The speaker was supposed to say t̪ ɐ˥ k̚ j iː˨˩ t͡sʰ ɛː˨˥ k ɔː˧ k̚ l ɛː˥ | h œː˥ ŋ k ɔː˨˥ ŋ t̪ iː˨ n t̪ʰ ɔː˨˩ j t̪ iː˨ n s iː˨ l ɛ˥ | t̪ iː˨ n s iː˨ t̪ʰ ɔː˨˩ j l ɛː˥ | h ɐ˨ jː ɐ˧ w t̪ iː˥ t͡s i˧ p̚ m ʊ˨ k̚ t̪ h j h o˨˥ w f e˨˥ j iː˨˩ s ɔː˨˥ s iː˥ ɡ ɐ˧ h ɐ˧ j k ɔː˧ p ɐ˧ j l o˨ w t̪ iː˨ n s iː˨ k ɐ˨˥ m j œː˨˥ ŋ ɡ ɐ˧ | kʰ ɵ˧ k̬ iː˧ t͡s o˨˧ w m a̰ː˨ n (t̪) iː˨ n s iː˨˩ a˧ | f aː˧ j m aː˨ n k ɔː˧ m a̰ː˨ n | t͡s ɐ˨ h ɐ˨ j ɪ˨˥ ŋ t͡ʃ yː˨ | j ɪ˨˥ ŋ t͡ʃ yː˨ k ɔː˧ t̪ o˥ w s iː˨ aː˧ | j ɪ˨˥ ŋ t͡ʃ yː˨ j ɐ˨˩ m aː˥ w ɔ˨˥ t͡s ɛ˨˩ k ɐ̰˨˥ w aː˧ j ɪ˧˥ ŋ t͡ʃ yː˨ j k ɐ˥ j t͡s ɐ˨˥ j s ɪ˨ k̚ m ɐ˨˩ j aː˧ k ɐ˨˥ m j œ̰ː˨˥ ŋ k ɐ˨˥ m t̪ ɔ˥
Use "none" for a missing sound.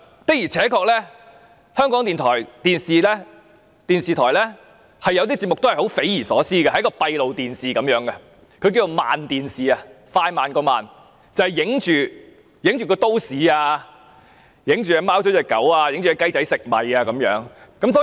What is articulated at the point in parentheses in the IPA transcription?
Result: t̪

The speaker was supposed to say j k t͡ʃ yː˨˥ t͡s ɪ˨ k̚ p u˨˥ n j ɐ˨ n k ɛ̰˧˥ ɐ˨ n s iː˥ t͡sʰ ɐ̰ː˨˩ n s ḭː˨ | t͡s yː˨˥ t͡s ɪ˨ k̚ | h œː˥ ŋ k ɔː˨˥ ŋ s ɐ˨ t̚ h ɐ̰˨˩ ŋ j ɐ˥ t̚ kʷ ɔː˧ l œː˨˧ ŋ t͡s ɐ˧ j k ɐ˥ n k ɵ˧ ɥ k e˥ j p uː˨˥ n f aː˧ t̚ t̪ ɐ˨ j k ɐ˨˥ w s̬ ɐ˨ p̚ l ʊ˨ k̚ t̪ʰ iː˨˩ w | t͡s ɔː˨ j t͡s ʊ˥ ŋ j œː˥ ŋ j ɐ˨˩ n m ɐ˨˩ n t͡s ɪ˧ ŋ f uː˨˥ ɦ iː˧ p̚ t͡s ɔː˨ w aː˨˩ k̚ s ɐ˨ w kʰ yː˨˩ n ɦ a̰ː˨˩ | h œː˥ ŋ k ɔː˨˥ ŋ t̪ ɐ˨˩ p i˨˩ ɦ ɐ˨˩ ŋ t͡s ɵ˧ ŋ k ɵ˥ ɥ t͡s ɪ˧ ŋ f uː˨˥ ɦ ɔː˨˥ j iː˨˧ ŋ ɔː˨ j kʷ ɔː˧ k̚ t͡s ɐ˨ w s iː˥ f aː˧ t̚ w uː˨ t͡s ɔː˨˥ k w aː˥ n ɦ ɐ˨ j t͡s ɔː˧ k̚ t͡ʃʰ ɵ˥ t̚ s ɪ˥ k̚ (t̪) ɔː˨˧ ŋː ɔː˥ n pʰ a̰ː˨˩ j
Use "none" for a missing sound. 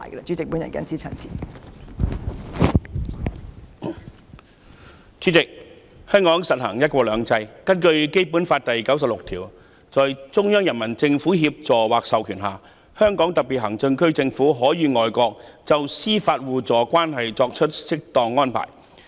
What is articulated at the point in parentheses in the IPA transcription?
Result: t̪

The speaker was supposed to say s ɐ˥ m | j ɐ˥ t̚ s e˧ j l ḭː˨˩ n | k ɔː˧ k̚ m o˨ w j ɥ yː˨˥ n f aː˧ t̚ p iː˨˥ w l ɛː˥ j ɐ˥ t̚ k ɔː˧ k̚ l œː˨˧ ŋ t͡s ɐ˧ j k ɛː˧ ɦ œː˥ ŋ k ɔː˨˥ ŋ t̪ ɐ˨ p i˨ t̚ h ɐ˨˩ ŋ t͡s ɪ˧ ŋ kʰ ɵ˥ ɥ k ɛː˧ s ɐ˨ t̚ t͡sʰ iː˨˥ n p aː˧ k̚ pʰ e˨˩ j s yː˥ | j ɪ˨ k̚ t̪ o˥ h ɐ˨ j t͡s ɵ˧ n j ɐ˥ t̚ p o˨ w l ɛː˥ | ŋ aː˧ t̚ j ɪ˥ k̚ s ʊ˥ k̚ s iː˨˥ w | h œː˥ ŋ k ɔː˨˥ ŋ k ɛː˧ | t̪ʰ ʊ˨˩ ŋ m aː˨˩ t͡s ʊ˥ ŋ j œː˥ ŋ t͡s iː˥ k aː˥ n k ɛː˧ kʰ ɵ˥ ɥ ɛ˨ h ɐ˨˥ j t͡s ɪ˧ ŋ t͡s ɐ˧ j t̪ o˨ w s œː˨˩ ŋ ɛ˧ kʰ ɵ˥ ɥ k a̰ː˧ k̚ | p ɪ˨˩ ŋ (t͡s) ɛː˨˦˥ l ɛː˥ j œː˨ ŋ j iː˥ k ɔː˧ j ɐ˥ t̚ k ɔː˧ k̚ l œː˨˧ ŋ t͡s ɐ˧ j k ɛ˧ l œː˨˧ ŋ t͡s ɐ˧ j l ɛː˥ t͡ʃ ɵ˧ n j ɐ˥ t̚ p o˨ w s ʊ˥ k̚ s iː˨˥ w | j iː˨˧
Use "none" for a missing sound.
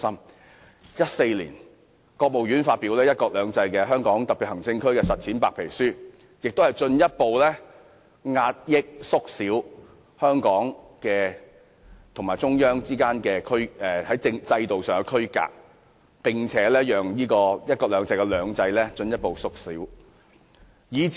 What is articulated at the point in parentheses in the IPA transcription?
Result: t͡sʰ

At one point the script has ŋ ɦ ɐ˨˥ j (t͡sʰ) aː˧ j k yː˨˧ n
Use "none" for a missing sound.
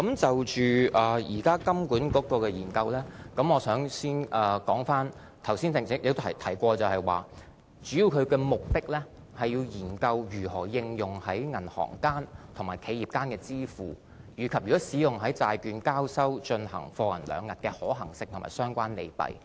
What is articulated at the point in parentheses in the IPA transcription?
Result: t͡s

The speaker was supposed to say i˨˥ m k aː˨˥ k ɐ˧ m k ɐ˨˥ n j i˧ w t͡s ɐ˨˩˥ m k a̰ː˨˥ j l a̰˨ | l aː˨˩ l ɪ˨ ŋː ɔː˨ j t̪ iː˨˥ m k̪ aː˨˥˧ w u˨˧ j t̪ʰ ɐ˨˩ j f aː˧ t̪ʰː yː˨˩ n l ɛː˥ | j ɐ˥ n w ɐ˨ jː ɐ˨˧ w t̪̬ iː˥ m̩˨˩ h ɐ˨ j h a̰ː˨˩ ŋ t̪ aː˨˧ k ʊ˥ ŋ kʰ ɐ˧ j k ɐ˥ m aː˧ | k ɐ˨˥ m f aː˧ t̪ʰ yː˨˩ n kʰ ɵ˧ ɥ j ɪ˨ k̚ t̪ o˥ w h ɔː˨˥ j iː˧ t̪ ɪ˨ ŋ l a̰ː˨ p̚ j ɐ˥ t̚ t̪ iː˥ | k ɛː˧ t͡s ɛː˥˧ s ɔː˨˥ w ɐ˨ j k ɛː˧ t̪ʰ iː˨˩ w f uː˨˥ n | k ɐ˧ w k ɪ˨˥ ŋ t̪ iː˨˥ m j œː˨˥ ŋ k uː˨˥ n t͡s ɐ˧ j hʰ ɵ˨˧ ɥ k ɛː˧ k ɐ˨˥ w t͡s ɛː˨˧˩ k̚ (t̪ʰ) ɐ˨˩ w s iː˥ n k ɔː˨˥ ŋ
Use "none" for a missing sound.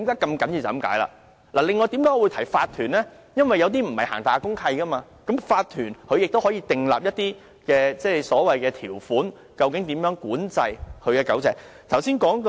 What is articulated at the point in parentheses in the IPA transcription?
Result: t̪ʰ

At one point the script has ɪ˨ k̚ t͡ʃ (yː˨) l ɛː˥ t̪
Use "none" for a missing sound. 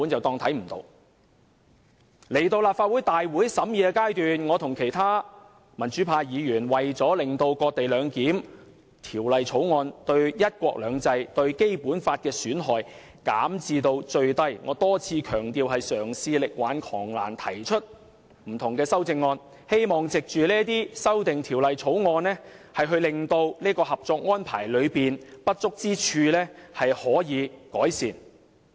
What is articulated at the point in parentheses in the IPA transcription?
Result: yː˨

